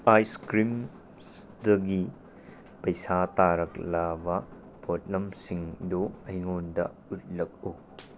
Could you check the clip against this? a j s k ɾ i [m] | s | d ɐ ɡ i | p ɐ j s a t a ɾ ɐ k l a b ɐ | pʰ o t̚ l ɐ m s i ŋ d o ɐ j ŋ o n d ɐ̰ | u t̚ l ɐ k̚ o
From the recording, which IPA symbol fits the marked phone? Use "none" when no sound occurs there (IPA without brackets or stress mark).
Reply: m